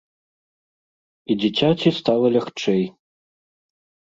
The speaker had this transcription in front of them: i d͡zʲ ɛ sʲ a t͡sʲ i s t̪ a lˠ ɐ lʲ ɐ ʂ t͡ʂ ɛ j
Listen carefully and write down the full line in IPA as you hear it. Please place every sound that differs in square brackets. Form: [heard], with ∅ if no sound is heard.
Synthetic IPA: i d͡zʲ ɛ [t͡sʲ] a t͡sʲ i s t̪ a lˠ ɐ lʲ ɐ [x] t͡ʂ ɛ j